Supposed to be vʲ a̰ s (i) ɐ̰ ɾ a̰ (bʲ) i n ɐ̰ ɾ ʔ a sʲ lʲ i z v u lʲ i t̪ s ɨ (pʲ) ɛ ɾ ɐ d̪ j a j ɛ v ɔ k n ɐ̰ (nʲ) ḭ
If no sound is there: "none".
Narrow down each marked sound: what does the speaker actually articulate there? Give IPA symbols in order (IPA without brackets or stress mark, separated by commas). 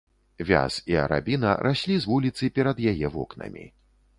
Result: i, bʲ, pʲ, mʲ